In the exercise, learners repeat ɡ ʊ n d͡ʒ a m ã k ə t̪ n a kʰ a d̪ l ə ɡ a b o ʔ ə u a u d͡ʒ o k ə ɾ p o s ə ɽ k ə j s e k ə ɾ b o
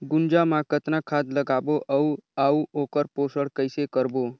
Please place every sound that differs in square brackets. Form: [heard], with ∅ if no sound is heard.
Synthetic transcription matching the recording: ɡ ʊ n d͡ʒ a m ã k ə t̪ n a kʰ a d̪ l ə ɡ a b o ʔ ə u a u [∅] o k ə ɾ p o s ə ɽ k ə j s e k ə ɾ b o

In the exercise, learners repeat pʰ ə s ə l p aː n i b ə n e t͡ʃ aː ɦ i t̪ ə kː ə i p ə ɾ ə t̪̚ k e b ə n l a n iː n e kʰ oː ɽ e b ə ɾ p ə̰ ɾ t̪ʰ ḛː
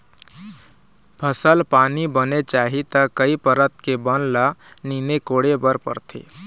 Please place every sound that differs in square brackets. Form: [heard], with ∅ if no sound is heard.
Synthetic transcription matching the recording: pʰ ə s ə l p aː n i b ə n e t͡ʃ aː ɦ i t̪ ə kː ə i p ə ɾ ə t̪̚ k e b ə n l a n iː n e [k] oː ɽ e b ə ɾ p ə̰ ɾ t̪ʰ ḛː

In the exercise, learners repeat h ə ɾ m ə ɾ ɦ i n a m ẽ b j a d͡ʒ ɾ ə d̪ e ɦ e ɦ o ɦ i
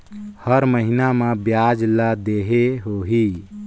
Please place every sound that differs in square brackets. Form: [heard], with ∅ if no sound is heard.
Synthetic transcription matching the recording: h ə ɾ m ə [∅] ɦ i n a m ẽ b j a d͡ʒ [l] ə d̪ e ɦ e ɦ o ɦ i

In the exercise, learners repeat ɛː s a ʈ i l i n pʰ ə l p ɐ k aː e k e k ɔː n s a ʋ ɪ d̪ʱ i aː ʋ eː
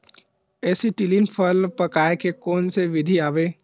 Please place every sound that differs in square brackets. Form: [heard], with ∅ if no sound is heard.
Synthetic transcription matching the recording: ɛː s [i] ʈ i l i n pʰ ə l p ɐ k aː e k e k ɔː n s [e] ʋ ɪ d̪ʱ i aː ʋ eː

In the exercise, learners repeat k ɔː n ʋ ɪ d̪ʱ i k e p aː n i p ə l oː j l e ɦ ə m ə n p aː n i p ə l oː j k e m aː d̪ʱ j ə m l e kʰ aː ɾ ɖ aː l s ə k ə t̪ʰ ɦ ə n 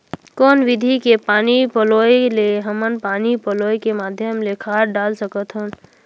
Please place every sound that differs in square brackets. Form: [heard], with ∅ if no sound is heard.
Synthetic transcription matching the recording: k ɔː n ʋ ɪ d̪ʱ i k e p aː n i p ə l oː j l e ɦ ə m ə n p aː n i p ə l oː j k e m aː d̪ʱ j ə m l e kʰ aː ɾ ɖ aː l s ə k ə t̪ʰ ɦ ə n

